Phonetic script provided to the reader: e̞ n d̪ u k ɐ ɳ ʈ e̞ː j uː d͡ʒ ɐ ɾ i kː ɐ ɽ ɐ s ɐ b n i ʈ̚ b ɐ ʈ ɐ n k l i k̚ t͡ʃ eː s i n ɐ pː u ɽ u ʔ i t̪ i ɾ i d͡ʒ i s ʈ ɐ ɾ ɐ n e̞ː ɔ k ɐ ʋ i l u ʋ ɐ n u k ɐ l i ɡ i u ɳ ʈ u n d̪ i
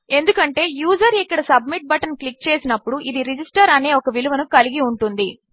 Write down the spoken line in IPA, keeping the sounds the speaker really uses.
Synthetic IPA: e̞ n d̪ u k ɐ ɳ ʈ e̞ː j uː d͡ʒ ɐ ɾ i kː ɐ ɽ ɐ s ɐ b m i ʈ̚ b ɐ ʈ ɐ n k l i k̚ t͡ʃ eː s i n ɐ pː u ɽ u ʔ i d̪ i ɾ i d͡ʒ i s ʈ ɐ ɾ ɐ n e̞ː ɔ k ɐ ʋ i l u ʋ ɐ n u k ɐ l i ɡ i u ɳ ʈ u n d̪ i

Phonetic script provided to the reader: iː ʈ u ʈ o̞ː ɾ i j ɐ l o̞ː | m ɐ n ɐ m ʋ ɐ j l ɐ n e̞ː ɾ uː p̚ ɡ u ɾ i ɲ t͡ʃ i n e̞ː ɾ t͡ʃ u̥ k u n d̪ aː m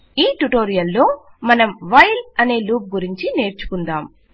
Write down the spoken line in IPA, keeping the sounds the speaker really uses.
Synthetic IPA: iː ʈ u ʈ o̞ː ɾ i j ɐ lː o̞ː | m ɐ n ɐ m ʋ ɐ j l ɐ n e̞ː l uː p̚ ɡ u ɾ i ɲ t͡ʃ i n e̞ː ɾ t͡ʃ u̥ k u n d̪ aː m

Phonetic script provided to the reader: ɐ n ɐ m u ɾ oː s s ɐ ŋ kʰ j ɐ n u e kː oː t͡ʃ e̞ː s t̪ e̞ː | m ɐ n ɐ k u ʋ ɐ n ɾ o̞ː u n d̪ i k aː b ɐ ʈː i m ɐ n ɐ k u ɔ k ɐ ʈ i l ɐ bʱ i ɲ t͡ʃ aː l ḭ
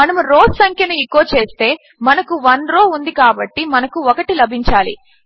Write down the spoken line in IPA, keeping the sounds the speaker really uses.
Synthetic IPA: ɐ n ɐ m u ɾ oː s s ɐ ŋ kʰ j ɐ n u i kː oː t͡ʃ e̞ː s t̪ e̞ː | m ɐ n ɐ k u ʋ ɐ n ɾ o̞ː u n d̪ i k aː b ɐ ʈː i m ɐ n ɐ k u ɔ k ɐ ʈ i l ɐ bʱ i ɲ t͡ʃ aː l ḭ

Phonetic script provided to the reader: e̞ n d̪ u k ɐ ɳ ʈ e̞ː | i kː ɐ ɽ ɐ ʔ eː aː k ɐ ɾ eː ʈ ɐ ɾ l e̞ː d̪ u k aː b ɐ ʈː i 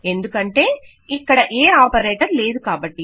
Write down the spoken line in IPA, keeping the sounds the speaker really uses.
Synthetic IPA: e̞ n d̪ u k ɐ ɳ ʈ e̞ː | i kː ɐ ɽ ɐ ʔ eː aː p ɐ ɾ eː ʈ ɐ ɾ l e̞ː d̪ u k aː b ɐ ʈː i

